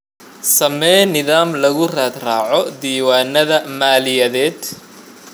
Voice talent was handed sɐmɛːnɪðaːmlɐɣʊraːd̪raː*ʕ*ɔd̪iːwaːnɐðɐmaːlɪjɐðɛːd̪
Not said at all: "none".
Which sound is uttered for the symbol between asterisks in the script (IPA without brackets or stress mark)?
ʕ